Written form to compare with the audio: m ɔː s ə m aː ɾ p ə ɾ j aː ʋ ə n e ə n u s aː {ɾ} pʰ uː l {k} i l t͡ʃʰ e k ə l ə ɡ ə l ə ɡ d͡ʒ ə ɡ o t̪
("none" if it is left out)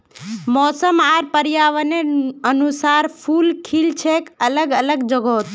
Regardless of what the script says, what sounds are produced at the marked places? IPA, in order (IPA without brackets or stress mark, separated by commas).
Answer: ɾ, kʰ